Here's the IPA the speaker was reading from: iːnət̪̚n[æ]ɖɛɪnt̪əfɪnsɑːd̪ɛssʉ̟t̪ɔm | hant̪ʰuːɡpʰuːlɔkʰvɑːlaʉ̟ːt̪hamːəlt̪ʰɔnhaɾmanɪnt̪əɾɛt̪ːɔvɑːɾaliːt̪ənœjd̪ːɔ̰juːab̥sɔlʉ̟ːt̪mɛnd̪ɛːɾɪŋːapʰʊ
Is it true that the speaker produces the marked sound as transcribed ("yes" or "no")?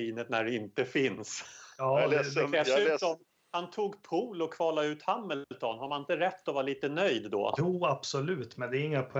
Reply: yes